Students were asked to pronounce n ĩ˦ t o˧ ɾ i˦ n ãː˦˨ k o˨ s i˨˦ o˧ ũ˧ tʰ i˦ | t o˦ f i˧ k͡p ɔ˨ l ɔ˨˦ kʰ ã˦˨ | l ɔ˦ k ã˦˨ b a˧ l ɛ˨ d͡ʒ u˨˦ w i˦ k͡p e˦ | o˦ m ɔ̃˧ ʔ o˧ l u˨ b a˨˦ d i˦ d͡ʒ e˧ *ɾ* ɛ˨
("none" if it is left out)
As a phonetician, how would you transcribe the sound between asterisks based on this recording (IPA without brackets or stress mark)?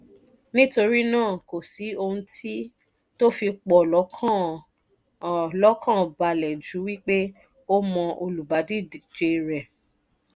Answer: ɾ